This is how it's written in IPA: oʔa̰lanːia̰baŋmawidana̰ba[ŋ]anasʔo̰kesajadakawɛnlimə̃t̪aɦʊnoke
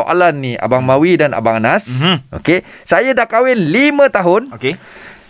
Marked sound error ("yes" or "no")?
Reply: no